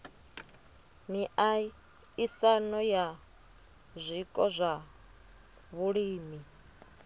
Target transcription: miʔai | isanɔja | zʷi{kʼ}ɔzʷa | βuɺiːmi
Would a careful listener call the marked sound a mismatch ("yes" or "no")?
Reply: no